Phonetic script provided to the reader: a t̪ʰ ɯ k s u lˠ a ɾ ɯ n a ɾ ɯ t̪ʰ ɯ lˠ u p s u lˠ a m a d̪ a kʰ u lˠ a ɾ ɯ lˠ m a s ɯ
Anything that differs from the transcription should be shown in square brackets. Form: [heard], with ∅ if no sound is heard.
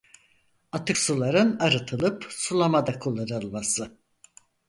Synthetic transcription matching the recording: a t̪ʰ ɯ k s u lˠ a ɾ ɯ n a ɾ ɯ t̪ʰ ɯ lˠ [ɯ] p s u lˠ a m a d̪ a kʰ u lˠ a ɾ ɯ lˠ m a s ɯ